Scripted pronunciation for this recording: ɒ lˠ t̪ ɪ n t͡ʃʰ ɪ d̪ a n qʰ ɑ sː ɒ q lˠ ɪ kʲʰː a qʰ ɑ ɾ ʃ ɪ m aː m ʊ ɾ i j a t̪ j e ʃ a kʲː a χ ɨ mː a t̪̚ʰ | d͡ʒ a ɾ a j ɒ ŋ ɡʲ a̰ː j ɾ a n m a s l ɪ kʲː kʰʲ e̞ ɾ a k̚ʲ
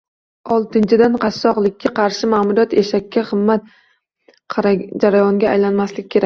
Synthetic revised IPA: ɒ lˠ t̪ ɪ n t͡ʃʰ ɪ d̪ a n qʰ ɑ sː ɒ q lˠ ɪ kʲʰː a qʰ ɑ ɾ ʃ ɪ m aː m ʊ ɾ i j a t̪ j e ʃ a kʲː a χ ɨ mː a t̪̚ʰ | d͡ʒ a ɾ a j ɒ ŋ ɡʲ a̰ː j l a n m a s l ɪ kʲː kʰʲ e̞ ɾ a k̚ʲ